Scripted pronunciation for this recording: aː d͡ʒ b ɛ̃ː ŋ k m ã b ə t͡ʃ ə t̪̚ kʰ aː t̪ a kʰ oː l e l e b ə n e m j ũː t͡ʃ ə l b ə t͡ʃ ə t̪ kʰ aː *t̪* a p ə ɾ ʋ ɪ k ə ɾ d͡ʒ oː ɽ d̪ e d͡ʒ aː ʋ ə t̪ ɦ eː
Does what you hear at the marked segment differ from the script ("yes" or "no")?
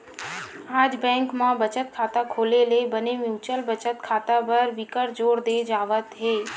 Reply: no